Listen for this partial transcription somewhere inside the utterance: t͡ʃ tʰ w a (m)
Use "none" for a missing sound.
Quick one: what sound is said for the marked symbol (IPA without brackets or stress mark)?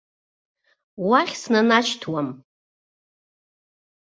m